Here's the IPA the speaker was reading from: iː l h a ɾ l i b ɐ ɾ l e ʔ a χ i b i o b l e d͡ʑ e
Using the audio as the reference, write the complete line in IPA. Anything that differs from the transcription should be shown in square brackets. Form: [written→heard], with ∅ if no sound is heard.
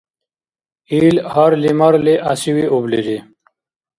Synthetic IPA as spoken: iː l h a ɾ l i [b→m] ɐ ɾ l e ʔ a [χ→s] i [b→w] i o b l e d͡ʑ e

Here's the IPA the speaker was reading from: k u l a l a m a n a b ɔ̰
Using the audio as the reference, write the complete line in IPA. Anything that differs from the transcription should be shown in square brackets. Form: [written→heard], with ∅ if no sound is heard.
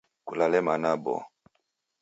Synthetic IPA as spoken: k u l a l [a→ɛ] m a n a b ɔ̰

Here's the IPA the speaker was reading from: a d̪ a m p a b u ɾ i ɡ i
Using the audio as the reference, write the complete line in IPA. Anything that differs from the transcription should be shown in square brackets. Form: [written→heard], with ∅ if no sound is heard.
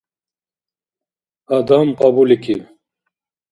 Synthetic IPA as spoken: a d̪ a m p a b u [ɾ→l] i [ɡ→k] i

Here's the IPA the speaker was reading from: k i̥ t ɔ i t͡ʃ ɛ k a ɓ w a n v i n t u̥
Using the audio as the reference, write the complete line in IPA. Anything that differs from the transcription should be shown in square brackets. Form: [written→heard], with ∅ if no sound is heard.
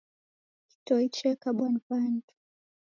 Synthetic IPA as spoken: k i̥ t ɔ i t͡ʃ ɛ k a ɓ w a n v [i→a] n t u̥

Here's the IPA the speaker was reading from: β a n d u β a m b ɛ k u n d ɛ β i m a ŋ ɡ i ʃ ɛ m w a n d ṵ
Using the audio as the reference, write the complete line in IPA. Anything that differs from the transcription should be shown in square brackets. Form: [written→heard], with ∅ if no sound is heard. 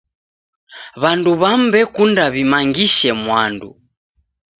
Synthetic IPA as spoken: β a n d u β a m b ɛ k u n d [ɛ→a] β i m a ŋ ɡ i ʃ ɛ m w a n d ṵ

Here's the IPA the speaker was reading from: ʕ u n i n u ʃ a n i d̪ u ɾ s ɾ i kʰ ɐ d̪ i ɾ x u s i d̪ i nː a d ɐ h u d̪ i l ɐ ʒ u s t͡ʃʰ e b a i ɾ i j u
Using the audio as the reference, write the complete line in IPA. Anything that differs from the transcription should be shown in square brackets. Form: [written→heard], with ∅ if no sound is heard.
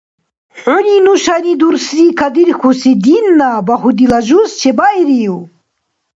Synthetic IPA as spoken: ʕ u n i n u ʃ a n i d̪ u ɾ s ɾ i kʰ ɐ d̪ i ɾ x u s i d̪ i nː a [d→b] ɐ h u d̪ i l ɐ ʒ u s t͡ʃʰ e b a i ɾ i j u

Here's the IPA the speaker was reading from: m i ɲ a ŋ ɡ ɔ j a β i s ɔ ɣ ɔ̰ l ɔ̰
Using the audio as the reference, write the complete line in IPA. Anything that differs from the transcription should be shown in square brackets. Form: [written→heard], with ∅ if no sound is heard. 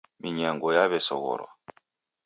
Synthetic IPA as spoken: m i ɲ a ŋ ɡ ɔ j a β [i→ɛ] s ɔ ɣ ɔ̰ [l→ɾ] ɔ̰

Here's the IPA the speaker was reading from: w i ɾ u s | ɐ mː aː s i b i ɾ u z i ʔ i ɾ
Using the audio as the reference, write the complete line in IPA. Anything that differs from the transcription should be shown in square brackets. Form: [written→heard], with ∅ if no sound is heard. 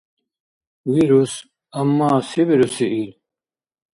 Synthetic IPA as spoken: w i ɾ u s | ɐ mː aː s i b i ɾ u [z→s] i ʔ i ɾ

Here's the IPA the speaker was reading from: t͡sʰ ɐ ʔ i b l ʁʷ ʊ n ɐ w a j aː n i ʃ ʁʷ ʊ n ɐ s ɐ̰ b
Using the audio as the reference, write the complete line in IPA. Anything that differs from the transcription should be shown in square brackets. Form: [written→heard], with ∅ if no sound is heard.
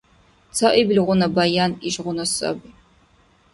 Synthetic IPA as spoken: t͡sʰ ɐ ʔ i b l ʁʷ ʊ n ɐ [w→b] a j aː n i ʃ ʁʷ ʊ n ɐ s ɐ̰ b

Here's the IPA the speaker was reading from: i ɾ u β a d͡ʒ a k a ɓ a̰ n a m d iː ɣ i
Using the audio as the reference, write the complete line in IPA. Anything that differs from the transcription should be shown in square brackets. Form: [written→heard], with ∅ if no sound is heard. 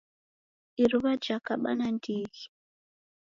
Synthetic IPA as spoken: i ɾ u β a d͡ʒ a k a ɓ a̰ n a [m→n] d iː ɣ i

